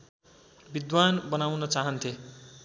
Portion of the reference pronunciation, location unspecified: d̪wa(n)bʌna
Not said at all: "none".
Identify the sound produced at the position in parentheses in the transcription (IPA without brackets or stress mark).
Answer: n